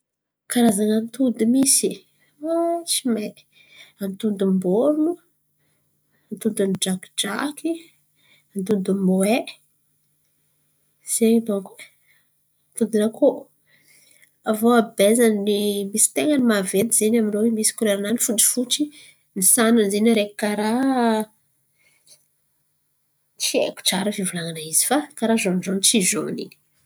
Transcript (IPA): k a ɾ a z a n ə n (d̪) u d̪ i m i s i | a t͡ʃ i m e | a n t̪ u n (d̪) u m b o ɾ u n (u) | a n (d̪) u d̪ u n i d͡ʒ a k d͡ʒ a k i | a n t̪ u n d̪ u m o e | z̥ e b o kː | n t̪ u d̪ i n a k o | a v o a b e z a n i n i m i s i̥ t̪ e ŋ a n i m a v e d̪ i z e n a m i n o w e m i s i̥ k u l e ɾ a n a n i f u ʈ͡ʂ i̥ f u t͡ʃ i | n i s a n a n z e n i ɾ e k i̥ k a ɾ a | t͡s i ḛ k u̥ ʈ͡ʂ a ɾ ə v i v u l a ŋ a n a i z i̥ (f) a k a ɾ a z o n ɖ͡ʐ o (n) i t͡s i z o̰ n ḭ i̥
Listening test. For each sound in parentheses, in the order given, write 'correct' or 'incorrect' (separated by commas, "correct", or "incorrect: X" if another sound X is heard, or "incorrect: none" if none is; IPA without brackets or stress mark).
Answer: incorrect: t̪, correct, correct, incorrect: t̪, correct, correct